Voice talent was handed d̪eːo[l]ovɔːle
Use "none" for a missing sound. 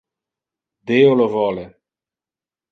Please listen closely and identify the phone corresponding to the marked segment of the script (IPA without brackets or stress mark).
l